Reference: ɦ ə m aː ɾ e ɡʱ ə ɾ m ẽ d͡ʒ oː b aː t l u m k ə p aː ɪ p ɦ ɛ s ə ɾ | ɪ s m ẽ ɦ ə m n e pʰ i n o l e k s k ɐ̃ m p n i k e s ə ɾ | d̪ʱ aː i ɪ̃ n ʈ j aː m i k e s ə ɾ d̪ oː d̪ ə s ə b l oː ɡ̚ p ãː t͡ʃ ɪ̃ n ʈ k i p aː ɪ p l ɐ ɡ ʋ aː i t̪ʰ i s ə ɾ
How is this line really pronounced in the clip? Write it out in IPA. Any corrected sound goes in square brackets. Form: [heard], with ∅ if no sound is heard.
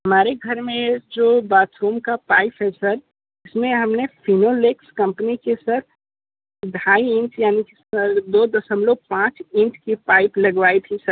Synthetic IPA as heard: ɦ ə m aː ɾ e ɡʱ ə ɾ m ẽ d͡ʒ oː b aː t [ɾ] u m k [a] p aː ɪ p ɦ ɛ s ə ɾ | ɪ s m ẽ ɦ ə m n e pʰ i n o l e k s k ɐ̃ m p n i k e s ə ɾ | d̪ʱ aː i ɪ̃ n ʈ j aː [n] i k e s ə ɾ d̪ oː d̪ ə s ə [m] l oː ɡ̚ p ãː t͡ʃ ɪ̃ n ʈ k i p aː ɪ p l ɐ ɡ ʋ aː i t̪ʰ i s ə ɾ